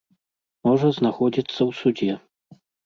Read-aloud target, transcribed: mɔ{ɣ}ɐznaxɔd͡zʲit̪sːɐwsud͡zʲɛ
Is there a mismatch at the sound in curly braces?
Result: yes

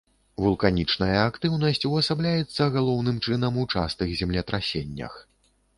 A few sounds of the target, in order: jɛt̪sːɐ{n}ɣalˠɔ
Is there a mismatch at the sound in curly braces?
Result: yes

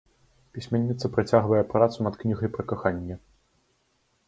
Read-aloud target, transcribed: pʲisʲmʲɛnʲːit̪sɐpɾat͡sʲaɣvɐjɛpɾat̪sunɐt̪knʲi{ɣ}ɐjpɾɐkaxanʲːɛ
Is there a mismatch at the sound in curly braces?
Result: no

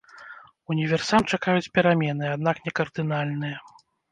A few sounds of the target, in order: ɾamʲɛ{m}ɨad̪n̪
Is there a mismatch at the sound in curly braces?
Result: yes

